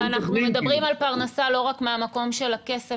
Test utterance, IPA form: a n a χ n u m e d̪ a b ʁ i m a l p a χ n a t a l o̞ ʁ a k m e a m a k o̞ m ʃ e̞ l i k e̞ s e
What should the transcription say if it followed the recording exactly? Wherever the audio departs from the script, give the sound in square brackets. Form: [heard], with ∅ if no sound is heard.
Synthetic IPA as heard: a n a χ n u m e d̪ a b ʁ i m a l p a [ʁ] n a [s] a l o̞ ʁ a k m e a m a k o̞ m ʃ e̞ l [a] k e̞ s e